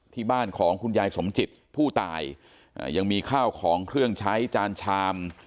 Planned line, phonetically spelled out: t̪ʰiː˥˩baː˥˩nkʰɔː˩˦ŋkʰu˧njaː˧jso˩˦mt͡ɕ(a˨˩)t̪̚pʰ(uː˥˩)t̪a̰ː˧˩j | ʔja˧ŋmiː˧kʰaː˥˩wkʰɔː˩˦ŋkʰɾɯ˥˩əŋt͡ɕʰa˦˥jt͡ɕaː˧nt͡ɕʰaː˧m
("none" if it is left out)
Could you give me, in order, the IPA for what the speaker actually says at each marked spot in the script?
i˨˩, uː˥˩

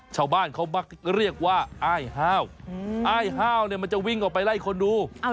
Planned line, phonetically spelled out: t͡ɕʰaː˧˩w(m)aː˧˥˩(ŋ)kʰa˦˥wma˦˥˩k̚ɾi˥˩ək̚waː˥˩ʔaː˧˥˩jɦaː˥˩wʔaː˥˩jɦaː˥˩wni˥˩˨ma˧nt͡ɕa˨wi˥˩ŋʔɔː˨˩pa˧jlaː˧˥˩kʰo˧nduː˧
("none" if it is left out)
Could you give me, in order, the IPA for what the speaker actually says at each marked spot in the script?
b, n

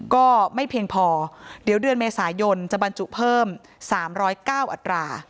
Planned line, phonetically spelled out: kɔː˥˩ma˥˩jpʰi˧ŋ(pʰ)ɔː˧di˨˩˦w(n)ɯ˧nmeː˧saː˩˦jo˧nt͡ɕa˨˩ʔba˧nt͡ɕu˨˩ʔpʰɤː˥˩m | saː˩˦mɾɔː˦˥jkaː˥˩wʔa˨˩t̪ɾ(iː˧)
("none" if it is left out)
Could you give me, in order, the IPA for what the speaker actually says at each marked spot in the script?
pʰ, d, aː˧

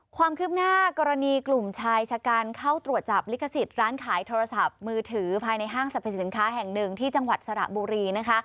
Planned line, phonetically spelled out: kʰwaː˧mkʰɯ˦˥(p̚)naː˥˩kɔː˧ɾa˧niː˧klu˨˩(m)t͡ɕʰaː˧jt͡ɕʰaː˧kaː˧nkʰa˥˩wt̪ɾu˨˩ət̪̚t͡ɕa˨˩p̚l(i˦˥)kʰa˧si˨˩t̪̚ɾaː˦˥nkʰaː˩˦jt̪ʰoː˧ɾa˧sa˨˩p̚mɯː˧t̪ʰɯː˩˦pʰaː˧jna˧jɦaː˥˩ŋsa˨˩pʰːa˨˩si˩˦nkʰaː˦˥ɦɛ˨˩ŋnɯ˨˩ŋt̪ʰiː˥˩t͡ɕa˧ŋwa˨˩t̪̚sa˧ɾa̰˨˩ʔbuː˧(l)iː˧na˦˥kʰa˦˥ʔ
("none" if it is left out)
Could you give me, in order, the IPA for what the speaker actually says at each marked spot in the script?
p̚, m, i˦˥, ɾ

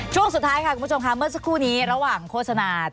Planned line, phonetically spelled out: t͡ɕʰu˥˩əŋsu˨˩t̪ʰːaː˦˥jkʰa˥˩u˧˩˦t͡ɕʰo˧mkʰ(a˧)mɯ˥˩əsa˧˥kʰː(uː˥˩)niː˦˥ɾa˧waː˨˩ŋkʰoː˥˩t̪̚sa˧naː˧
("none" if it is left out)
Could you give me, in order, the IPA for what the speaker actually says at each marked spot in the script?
a˦˥, uː˥˩

